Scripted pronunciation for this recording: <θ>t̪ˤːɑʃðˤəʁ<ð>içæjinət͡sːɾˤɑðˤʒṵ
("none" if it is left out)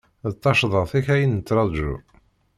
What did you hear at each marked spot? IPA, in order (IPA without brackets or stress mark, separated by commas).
ð, θ